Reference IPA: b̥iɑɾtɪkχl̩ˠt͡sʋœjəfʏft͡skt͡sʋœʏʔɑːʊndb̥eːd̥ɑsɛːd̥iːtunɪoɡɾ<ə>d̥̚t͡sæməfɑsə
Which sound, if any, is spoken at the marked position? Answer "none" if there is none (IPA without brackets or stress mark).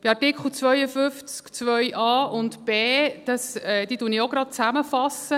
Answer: ɑ